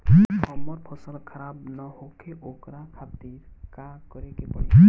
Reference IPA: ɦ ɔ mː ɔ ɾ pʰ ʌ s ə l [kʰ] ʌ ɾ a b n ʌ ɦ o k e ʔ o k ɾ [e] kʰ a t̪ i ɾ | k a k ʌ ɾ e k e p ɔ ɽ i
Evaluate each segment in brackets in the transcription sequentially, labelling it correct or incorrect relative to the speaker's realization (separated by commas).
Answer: correct, incorrect